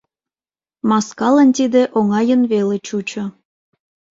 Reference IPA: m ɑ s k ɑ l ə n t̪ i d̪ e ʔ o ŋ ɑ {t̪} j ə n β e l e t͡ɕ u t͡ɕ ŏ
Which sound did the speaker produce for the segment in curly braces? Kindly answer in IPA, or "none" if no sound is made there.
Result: none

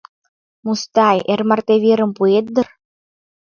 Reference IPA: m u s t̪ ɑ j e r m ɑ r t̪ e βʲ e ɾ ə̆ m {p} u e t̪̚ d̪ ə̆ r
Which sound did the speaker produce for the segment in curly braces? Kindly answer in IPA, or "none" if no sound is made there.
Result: p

